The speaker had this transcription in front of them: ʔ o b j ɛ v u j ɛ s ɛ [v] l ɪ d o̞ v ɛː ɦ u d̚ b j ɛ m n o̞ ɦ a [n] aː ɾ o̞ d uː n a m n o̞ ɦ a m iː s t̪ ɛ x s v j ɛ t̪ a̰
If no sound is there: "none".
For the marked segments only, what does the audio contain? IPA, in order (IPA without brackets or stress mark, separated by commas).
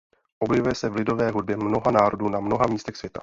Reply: v, n